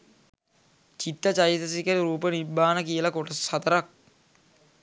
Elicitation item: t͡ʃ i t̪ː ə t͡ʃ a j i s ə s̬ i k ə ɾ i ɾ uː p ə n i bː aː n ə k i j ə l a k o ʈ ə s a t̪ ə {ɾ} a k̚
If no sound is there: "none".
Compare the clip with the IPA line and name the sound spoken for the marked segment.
ɾ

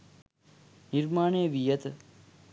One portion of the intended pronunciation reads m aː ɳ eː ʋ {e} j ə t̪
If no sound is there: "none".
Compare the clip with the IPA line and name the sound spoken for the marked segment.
i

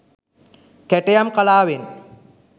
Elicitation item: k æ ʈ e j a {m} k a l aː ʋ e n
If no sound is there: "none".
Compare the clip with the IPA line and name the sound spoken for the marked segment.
m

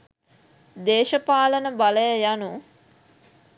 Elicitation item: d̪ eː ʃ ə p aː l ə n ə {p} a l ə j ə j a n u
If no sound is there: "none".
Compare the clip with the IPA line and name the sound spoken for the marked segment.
b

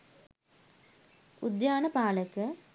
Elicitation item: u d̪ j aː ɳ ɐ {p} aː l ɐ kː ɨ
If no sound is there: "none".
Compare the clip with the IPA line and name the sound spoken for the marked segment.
p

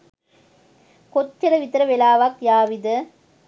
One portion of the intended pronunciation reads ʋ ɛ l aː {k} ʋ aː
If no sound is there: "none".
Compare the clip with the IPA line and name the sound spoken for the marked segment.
none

